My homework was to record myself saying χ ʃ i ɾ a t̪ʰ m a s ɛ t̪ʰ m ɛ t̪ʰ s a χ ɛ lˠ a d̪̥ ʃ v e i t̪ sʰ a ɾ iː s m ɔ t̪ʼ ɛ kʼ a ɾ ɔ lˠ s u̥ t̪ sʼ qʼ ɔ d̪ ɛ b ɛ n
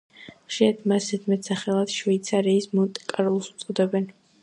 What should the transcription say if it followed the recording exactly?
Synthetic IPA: χ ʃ i ɾ a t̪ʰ m a s ɛ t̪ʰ m ɛ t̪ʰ s a χ ɛ lˠ a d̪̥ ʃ v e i t̪ sʰ a ɾ iː s m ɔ t̪ʼ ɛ kʼ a ɾ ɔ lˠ s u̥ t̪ sʼ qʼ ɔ d̪ ɛ b ɛ n

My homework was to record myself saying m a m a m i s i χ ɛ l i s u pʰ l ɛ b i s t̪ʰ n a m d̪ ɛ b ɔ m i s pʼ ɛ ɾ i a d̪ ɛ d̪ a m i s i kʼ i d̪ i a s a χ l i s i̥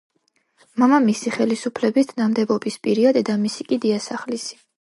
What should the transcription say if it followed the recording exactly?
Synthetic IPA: m a m a m i s i χ ɛ l i s u pʰ l ɛ b i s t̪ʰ n a m d̪ ɛ b ɔ b i s pʼ i ɾ i a d̪ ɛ d̪ a m i s i kʼ i d̪ i a s a χ l i s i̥

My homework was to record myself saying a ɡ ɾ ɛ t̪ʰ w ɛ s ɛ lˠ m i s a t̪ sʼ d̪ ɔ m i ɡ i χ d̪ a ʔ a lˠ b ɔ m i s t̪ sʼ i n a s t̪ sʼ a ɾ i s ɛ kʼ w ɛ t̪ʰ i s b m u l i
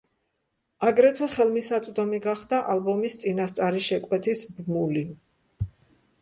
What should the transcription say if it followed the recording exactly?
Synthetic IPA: a ɡ ɾ ɛ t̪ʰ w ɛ χ ɛ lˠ m i s a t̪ sʼ d̪ ɔ m i ɡ a χ d̪ a ʔ a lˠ b ɔ m i s t̪ sʼ i n a s t̪ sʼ a ɾ i ʃ ɛ kʼ w ɛ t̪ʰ i s b m u l i

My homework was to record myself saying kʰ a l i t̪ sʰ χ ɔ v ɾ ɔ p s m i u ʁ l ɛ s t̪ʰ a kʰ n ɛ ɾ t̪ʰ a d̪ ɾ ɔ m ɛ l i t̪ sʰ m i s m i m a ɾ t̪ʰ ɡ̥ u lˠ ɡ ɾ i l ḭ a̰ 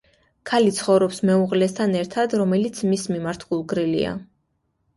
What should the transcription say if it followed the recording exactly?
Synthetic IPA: kʰ a l i t̪ sʰ χ ɔ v ɾ ɔ p s m ɛ u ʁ l ɛ s t̪ʰ a n ɛ ɾ t̪ʰ a d̪ ɾ ɔ m ɛ l i t̪ sʰ m i s m i m a ɾ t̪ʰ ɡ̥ u lˠ ɡ ɾ i l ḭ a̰

